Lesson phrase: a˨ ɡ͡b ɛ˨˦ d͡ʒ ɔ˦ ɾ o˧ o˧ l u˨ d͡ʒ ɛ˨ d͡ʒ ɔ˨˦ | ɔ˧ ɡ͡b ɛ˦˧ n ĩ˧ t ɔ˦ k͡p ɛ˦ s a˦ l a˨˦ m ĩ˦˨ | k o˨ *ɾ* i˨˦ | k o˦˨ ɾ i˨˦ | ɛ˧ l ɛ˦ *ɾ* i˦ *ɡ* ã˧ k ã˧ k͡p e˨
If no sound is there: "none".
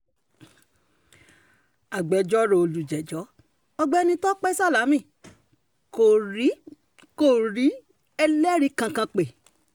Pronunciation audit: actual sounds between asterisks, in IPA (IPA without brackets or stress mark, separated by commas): ɾ, ɾ, k